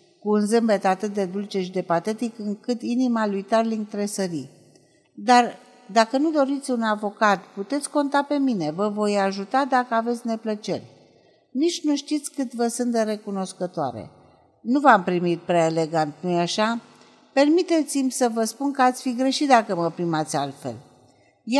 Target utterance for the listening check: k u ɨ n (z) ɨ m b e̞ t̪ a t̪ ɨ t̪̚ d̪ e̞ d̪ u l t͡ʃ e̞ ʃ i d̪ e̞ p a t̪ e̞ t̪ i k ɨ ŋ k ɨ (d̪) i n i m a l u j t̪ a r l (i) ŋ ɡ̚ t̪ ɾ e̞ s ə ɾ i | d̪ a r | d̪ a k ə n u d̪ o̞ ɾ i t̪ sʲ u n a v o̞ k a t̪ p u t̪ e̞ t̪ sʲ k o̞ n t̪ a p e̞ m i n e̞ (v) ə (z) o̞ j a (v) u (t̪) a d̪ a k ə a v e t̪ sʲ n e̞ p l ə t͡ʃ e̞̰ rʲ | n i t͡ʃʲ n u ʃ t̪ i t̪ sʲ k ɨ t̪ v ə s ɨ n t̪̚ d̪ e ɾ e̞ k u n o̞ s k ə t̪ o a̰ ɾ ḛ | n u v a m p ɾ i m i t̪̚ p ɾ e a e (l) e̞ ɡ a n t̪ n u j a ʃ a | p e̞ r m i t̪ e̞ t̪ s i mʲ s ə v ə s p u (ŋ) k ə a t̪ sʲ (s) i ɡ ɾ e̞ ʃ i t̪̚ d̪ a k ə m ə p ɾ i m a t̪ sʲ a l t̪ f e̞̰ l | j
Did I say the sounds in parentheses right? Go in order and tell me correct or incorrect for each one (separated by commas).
correct, incorrect, correct, correct, incorrect, incorrect, correct, correct, incorrect, incorrect